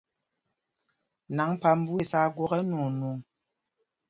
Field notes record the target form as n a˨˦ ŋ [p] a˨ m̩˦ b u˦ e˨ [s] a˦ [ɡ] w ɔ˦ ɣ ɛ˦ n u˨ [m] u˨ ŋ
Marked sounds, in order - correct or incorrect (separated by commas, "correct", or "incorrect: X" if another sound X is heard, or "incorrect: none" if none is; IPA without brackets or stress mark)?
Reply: correct, correct, correct, incorrect: n